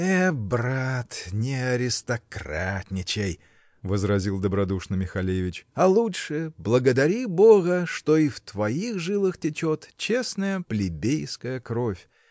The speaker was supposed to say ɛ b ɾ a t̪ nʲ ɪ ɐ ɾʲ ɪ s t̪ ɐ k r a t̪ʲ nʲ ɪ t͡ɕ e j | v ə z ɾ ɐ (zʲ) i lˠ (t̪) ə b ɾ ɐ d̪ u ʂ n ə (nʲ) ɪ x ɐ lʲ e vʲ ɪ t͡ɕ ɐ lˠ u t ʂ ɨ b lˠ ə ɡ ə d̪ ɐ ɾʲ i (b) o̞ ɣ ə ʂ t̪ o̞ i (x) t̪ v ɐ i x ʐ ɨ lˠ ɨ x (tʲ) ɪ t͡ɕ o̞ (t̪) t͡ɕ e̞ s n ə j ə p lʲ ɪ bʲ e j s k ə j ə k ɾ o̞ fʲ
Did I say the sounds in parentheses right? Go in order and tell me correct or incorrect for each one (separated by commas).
correct, incorrect, incorrect, correct, incorrect, correct, correct